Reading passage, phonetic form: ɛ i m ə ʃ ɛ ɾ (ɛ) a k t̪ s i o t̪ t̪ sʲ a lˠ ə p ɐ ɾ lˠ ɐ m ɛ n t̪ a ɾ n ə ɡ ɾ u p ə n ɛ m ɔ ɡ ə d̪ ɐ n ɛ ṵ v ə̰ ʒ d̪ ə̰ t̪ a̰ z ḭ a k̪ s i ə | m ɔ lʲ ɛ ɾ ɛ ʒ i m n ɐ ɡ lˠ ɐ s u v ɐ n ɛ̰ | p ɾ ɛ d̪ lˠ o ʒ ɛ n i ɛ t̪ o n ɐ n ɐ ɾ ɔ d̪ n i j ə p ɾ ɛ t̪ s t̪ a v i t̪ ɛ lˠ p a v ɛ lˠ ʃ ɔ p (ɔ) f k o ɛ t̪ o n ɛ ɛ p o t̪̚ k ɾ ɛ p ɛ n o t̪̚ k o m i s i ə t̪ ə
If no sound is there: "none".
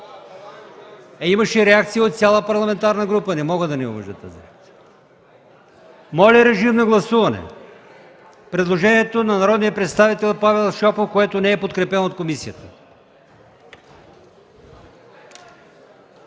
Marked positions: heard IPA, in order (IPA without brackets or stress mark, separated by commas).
ɛ, o